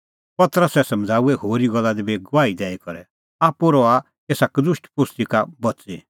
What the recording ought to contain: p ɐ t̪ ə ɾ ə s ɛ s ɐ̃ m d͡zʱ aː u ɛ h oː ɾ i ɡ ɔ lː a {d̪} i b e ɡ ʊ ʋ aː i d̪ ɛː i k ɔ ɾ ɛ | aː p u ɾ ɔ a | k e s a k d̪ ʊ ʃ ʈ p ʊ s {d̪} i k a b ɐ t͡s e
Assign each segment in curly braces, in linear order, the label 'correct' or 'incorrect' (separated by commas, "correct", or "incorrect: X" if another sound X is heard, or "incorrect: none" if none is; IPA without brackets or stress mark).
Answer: correct, incorrect: t̪